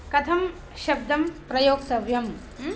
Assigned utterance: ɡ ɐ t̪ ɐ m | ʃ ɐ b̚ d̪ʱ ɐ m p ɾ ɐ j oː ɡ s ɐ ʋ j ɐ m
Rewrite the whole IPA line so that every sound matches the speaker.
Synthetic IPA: k ɐ t̪ʰ ɐ m | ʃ ɐ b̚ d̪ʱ ɐ m p ɾ ɐ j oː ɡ s ɐ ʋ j ɐ m